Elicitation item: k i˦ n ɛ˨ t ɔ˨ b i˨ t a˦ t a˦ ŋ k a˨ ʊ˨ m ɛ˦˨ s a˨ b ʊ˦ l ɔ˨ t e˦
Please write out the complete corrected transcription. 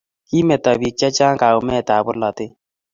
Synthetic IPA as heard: k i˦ m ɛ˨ t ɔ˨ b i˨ t͡ʃ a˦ t͡ʃ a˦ ŋ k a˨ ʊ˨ m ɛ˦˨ t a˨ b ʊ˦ l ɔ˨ t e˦